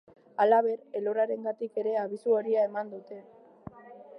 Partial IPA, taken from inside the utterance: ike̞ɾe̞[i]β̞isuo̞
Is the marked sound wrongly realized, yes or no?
yes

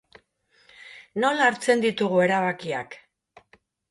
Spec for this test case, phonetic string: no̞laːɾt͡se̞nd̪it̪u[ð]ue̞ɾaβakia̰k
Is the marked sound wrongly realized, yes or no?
yes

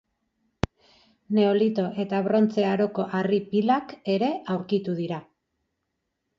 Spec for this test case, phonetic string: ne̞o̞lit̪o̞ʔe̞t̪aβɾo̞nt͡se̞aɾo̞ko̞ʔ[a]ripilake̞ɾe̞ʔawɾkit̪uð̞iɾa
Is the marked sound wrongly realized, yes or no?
no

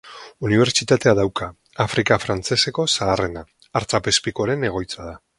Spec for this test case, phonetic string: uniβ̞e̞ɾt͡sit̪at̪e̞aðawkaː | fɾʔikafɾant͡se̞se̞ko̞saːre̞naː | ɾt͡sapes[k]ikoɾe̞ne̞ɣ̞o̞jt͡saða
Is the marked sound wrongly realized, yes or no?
yes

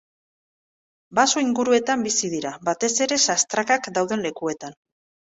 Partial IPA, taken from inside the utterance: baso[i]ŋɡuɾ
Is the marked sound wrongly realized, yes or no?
no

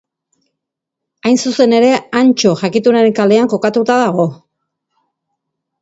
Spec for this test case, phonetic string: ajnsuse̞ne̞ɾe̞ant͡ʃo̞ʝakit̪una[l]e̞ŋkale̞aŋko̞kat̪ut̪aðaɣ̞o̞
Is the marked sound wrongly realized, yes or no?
yes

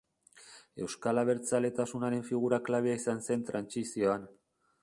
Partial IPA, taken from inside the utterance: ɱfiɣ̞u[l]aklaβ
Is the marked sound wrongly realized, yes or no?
yes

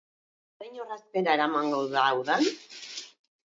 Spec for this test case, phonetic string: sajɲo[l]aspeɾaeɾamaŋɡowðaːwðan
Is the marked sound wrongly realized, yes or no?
yes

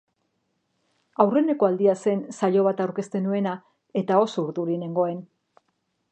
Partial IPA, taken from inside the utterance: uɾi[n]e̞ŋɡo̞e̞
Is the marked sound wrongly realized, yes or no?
no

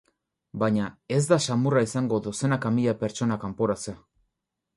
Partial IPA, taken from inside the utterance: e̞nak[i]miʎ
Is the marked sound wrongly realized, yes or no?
yes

